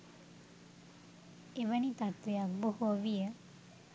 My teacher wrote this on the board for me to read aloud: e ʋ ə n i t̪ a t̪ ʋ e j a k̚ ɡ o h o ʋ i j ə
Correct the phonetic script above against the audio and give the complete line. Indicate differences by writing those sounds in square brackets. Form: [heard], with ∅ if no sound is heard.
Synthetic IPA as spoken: e ʋ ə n i t̪ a t̪ ʋ e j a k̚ [b] o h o ʋ i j ə